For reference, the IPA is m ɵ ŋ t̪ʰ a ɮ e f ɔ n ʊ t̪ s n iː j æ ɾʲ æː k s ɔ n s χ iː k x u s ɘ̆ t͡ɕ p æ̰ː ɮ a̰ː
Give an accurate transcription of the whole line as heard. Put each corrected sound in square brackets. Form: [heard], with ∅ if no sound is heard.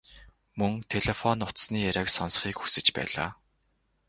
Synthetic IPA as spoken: m ɵ ŋ t̪ʰ [e] ɮ e f ɔ n ʊ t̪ s n iː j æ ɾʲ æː k s ɔ n s χ iː k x u s ɘ̆ t͡ɕ p æ̰ː ɮ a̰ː